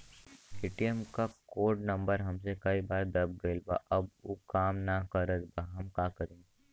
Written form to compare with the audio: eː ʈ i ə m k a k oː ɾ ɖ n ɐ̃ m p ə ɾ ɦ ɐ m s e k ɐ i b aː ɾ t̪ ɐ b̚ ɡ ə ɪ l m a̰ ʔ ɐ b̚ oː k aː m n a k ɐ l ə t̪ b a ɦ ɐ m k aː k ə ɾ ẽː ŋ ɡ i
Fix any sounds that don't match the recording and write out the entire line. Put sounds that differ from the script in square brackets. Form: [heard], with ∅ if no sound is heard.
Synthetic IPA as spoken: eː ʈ i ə m k a k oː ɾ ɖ n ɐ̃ m [b] ə ɾ ɦ ɐ m s e k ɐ i b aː ɾ [d̪] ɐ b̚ ɡ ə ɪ l [b] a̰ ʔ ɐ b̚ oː k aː m n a k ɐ [ɾ] ə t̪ b a ɦ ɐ m k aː k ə ɾ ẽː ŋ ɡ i